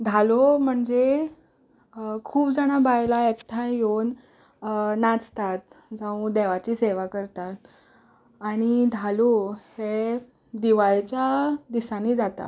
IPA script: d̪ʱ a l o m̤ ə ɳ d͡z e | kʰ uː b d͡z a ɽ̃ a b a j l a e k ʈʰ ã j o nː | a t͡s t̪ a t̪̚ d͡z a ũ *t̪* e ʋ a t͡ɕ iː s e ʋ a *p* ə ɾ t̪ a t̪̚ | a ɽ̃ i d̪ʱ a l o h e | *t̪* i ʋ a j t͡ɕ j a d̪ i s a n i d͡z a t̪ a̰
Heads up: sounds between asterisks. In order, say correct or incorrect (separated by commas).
incorrect, incorrect, incorrect